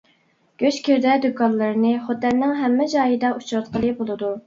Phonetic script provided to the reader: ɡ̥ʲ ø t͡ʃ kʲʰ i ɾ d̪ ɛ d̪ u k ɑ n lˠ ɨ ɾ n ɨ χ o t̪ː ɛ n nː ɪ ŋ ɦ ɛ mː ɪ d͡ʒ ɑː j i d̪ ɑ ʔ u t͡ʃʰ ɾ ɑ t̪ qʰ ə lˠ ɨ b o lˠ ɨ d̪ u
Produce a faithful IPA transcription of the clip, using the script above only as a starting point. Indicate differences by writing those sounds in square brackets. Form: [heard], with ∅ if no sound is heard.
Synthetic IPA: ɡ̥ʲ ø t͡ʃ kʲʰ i ɾ d̪ ɛ d̪ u k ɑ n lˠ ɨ ɾ n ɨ χ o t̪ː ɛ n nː ɪ ŋ ɦ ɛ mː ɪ d͡ʒ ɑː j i d̪ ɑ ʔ u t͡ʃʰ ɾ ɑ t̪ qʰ ə lˠ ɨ b o lˠ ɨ d̪ u